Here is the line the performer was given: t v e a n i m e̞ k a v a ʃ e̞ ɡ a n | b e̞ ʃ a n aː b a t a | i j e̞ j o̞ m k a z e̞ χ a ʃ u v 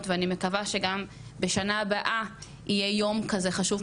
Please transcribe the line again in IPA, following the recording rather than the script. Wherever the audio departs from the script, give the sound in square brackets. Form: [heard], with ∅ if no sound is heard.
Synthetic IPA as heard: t v e a n i m e̞ k a v a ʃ e̞ ɡ a [m] | b e̞ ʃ a n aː b a [ʔ] a | i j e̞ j o̞ m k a z e̞ χ a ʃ u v